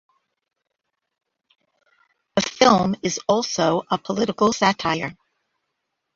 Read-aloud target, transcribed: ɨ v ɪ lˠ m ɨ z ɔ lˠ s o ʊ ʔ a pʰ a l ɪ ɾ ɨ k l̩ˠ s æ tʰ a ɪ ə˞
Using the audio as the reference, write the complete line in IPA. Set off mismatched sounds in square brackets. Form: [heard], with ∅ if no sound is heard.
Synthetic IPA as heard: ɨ [f] ɪ lˠ m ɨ z ɔ lˠ s o ʊ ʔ [ə] pʰ [ə] l ɪ ɾ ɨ k l̩ˠ s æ tʰ a ɪ ə˞

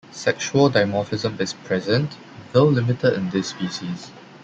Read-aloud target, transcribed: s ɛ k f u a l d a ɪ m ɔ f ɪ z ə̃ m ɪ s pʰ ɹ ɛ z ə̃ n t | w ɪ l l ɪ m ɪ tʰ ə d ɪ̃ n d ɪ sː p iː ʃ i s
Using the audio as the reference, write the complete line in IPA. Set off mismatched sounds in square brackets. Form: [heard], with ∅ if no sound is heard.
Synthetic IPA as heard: s ɛ k [ʃ] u [ə] l d a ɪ m ɔ f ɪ z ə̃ m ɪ s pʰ ɹ ɛ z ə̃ n t | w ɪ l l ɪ m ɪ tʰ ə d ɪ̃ n d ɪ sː p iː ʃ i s

